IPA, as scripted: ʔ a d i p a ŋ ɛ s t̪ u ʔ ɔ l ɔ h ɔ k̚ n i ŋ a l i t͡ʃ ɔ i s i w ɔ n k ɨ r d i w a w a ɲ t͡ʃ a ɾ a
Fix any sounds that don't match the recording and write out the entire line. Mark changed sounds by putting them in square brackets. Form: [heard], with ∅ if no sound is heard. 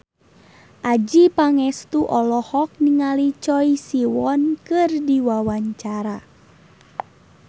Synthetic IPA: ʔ a [d͡ʒ] i p a ŋ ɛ s t̪ u ʔ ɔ l ɔ h ɔ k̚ n i ŋ a l i t͡ʃ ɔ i s i w ɔ n k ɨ r d i w a w a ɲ t͡ʃ a ɾ a